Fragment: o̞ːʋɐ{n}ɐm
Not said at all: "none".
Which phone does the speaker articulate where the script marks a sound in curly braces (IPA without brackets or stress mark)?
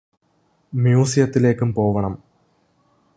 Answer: ɳ